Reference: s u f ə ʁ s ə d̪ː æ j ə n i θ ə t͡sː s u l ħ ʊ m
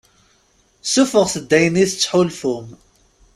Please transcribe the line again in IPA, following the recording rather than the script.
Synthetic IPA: s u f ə ʁ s ə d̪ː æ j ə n i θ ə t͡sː ħ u l f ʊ m